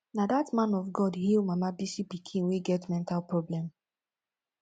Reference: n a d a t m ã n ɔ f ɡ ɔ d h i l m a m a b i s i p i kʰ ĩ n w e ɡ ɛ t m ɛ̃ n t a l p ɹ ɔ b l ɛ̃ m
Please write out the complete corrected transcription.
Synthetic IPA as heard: n a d a t m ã n ɔ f ɡ ɔ d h i l m a m a b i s i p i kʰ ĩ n w e ɡ ɛ t m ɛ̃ n t a l p ɹ ɔ b l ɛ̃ m